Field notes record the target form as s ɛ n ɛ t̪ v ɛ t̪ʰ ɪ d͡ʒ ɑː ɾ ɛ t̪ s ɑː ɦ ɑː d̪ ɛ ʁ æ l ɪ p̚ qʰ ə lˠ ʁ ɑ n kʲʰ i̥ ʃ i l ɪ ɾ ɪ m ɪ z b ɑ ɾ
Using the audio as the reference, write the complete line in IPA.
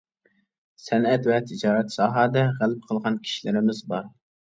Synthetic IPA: s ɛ n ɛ t̪ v ɛ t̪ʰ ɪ d͡ʒ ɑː ɾ ɛ t̪ s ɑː ɦ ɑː d̪ ɛ ʁ æ l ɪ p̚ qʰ ə lˠ ʁ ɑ n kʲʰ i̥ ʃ i l ɪ ɾ ɪ m ɪ z b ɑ ɾ